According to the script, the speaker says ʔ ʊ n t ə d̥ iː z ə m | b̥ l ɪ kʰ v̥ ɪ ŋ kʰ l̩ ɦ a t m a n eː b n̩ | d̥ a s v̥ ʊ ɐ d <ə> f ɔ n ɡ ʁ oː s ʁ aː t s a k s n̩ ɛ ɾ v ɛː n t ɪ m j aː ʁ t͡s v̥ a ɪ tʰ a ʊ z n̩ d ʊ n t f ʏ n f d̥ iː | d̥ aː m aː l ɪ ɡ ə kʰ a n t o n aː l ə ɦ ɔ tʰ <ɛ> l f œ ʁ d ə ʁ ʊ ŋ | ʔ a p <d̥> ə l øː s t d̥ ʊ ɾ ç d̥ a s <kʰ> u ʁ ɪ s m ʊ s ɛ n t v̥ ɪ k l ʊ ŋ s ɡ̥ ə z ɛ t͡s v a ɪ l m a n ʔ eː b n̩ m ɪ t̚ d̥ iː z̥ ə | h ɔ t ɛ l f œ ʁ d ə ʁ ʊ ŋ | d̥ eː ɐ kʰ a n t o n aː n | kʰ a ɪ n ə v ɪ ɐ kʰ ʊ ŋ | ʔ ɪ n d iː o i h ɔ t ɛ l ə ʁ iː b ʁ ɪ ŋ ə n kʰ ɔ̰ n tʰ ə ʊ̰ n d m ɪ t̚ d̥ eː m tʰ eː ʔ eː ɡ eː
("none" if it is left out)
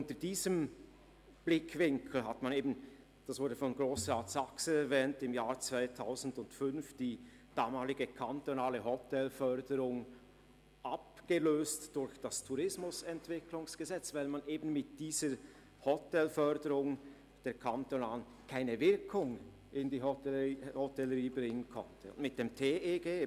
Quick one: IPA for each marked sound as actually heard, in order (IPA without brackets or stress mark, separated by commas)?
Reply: ə, ɛ, ɡ̥, tʰ